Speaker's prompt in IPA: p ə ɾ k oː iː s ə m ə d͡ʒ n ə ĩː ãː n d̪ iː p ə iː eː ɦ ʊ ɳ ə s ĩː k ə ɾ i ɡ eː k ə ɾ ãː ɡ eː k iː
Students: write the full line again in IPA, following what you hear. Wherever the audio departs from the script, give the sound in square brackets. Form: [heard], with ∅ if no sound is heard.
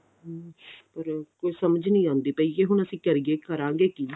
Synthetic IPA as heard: p ə ɾ k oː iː s ə m ə d͡ʒ n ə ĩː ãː n d̪ iː p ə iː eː ɦ ʊ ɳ ə s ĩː k ə ɾ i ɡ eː k ə ɾ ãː ɡ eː k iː